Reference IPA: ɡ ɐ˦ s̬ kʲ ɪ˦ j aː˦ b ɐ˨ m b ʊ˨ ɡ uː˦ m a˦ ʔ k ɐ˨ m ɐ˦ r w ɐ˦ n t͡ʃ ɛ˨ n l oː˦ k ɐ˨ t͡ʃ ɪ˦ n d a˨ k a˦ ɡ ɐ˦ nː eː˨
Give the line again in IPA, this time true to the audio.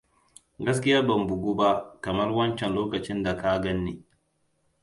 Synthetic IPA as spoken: ɡ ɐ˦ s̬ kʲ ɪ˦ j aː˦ b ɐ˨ m b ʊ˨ ɡ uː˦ b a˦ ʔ k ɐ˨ m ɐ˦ r w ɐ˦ n t͡ʃ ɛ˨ n l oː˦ k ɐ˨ t͡ʃ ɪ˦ n d a˨ k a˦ ɡ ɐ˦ nː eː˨